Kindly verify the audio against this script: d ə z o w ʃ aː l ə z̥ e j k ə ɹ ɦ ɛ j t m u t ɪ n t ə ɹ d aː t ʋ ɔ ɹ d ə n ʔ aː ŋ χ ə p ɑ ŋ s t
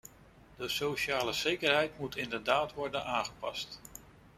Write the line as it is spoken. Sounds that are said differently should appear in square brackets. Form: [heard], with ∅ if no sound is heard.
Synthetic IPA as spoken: d ə [s] o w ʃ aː l ə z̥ e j k ə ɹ ɦ ɛ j t m u t ɪ n [d] ə ɹ d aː t ʋ ɔ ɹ d ə n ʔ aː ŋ χ ə p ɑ [∅] s t